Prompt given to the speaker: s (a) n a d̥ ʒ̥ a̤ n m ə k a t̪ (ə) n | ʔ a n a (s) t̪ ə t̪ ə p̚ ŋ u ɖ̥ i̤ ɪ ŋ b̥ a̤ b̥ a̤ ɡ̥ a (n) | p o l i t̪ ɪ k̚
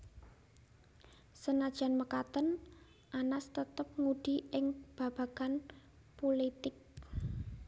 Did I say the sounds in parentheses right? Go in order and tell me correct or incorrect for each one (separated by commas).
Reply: incorrect, correct, correct, correct